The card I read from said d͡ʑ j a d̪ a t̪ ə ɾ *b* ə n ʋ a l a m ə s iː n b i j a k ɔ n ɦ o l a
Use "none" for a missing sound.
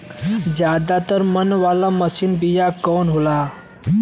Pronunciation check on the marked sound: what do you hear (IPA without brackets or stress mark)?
m